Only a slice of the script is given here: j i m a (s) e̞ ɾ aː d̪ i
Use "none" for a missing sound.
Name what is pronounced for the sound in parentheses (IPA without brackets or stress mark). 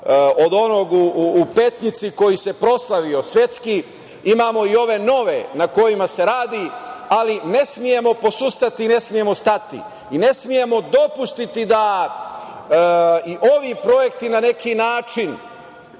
s